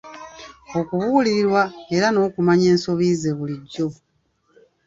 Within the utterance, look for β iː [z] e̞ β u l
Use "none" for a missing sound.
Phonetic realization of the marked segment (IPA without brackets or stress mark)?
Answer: z